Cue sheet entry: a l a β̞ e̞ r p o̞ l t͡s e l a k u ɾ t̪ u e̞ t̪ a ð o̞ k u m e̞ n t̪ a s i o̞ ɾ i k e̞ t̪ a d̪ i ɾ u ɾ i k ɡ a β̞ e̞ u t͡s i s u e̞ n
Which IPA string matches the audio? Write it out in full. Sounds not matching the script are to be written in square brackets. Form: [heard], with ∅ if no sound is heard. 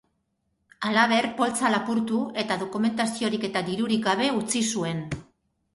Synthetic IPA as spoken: a l a β̞ e̞ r p o̞ l t͡s [a] l a [p] u ɾ t̪ u e̞ t̪ a ð o̞ k u m e̞ n t̪ a s i o̞ ɾ i k e̞ t̪ a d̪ i ɾ u ɾ i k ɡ a β̞ e̞ u t͡s i s u e̞ n